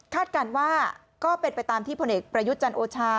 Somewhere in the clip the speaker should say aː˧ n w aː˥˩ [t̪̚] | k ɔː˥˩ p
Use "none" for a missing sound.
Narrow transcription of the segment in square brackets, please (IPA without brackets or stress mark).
none